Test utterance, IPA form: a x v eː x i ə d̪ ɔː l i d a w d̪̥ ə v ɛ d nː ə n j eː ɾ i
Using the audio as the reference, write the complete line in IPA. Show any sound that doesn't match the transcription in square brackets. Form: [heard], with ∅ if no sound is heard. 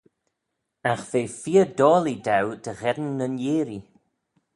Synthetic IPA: a x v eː [f] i ə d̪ ɔː l i d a w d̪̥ ə [ɣ] ɛ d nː ə n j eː ɾ i